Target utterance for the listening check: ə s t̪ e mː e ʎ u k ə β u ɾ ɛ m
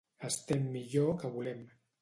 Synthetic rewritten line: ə s t̪ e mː i ʎ o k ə β u l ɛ m